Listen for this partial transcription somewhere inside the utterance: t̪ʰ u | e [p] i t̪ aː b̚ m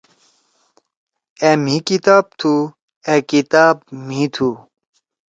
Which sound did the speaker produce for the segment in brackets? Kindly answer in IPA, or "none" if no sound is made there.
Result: k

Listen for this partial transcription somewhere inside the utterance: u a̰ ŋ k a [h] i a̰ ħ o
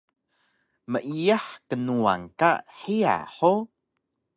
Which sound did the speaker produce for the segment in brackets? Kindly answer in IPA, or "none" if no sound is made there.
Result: ħ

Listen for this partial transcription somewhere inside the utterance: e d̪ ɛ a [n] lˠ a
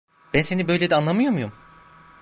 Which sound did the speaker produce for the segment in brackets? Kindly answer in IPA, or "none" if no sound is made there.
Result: n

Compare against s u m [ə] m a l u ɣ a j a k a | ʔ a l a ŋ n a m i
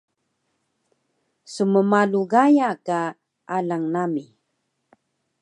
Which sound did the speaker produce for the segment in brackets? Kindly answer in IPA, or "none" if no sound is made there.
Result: ə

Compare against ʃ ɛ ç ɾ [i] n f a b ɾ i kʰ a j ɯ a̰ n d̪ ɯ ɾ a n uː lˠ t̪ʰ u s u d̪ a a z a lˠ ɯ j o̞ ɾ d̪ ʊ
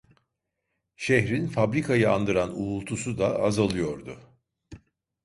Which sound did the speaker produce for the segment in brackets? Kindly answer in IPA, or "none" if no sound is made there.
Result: i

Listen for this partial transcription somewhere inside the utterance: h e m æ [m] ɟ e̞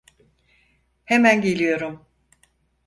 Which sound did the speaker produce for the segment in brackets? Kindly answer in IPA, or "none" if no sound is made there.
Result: n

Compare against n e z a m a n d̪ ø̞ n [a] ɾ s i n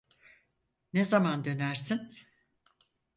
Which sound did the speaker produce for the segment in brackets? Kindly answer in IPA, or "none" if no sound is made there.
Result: æ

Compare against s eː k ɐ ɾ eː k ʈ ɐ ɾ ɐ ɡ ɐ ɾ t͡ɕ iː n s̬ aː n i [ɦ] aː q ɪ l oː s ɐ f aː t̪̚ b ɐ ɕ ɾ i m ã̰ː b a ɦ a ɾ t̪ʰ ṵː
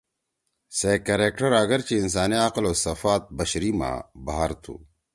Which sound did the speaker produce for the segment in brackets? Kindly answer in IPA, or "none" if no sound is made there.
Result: none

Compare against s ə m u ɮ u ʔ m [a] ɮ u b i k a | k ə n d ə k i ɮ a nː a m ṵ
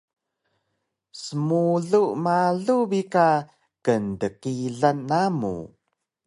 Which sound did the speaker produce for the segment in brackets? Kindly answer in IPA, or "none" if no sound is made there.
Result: a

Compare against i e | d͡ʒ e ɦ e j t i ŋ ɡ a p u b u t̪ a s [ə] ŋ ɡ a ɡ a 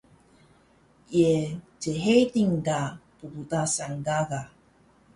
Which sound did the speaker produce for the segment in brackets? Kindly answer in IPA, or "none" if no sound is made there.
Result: a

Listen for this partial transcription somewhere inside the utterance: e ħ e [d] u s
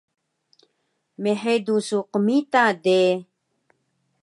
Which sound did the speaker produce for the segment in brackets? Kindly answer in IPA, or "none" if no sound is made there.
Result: d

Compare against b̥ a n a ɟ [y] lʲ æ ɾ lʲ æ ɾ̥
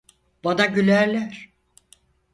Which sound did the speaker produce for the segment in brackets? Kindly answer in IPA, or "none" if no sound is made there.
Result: y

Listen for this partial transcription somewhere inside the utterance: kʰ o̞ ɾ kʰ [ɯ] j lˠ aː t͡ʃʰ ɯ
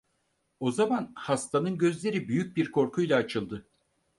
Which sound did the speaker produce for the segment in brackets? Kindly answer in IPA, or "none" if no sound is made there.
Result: u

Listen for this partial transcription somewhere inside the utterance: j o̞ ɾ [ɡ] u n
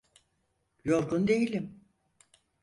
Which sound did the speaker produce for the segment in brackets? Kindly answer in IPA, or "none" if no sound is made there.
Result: ɡ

